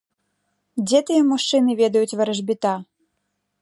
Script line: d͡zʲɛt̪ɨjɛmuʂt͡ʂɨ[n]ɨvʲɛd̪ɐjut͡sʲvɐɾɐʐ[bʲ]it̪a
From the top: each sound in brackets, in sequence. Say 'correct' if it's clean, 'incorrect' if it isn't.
correct, correct

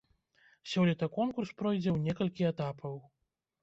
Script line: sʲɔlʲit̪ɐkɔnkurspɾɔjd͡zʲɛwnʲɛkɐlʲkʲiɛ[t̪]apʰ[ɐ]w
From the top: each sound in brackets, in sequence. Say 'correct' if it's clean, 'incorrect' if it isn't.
correct, correct

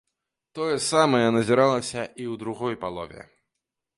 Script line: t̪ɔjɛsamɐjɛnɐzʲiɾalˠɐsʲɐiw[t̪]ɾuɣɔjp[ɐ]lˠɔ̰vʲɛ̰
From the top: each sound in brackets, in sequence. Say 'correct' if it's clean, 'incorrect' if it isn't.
incorrect: d̪, incorrect: a

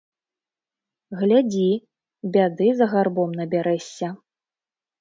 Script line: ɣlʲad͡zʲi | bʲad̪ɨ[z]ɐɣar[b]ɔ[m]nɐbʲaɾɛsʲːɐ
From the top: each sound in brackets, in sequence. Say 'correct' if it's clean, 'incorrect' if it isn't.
correct, correct, correct

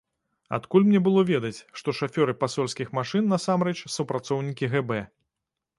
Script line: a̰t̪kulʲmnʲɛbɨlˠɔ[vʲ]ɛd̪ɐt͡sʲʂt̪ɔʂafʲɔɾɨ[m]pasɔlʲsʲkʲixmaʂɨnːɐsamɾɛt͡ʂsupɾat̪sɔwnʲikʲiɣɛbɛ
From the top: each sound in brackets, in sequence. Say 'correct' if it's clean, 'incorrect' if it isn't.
correct, incorrect: none

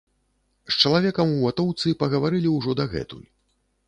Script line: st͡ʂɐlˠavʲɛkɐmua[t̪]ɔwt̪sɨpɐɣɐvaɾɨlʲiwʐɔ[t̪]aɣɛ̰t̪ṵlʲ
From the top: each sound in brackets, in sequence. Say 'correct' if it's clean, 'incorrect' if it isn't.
correct, incorrect: d̪

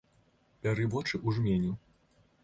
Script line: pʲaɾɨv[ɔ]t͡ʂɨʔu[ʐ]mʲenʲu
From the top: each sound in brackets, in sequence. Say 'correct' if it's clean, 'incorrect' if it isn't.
correct, correct

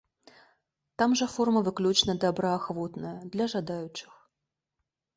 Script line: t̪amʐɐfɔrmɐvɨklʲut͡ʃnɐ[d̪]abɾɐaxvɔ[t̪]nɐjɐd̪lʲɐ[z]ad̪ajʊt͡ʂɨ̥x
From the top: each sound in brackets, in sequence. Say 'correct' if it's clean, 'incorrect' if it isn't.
correct, correct, incorrect: ʐ

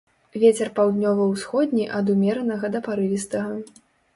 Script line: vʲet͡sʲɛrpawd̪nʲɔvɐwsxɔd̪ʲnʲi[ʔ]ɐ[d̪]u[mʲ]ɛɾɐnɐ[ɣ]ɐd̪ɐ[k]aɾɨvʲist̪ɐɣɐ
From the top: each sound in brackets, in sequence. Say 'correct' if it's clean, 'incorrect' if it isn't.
correct, correct, correct, correct, incorrect: p

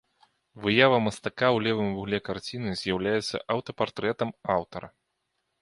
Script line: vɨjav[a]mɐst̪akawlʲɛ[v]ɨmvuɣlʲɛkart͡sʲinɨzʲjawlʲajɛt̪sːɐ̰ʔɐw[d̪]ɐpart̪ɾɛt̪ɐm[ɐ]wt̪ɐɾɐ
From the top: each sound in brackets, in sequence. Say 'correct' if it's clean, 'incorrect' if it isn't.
incorrect: ɐ, correct, incorrect: t̪, incorrect: a

